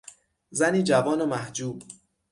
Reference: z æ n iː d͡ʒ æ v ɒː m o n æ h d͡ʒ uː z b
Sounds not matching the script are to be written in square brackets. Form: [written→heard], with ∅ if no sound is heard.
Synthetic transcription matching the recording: z æ n iː d͡ʒ æ v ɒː [m→n] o [n→m] æ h d͡ʒ uː [z→∅] b